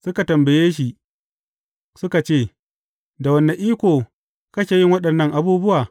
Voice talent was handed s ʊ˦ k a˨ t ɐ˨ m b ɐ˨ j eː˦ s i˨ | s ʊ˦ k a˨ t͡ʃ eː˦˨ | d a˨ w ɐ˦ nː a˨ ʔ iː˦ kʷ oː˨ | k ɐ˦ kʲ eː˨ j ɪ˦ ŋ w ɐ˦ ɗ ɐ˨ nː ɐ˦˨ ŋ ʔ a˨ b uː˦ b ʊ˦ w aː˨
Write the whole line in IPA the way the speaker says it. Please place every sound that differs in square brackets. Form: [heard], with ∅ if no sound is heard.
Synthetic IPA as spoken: s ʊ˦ k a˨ t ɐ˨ m b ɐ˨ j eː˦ [ʃ] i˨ | s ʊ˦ k a˨ t͡ʃ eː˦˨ | d a˨ w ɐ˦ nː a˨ ʔ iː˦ kʷ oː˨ | k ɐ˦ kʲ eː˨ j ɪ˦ ŋ w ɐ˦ ɗ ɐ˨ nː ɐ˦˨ ŋ ʔ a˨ b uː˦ b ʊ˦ w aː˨